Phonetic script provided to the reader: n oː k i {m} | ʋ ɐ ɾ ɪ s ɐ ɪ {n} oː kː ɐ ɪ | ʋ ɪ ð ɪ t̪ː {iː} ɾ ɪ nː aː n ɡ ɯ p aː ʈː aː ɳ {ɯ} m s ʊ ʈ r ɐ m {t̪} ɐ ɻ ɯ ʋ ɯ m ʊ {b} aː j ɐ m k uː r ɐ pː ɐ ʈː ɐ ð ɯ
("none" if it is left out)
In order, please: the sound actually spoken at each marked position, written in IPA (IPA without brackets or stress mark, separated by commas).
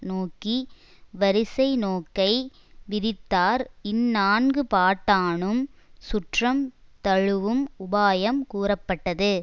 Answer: none, n, aː, ɯ, t̪, b